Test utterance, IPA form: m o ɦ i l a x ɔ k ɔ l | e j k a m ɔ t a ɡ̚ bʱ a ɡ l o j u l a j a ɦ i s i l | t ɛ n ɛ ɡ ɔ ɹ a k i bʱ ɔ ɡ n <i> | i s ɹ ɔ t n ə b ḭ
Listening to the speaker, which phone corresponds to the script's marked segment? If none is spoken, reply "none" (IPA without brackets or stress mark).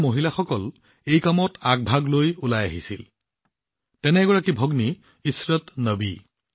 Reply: i